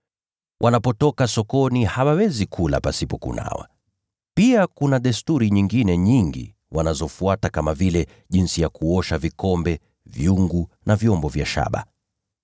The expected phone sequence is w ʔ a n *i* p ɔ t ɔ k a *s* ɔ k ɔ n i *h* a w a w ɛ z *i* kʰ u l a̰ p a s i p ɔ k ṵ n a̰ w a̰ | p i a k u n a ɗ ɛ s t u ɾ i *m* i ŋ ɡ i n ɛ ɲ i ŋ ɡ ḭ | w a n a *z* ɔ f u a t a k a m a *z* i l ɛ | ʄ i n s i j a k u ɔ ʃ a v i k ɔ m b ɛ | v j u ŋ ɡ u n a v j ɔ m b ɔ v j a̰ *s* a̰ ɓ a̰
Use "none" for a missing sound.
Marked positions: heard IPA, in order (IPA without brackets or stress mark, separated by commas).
a, s, h, i, ɲ, z, v, ʃ